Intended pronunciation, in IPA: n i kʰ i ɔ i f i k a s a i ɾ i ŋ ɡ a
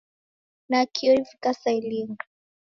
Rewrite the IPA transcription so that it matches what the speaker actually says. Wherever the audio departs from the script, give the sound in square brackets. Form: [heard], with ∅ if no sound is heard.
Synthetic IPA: n [a] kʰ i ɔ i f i k a s a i [l] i ŋ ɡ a